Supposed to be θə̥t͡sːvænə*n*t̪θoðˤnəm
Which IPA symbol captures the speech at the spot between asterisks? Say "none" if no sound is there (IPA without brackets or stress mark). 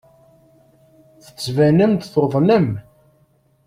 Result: m